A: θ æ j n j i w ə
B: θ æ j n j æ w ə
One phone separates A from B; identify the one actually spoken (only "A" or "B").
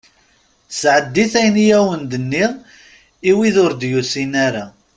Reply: B